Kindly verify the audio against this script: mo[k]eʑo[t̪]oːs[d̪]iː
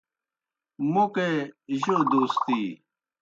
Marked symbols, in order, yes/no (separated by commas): yes, no, no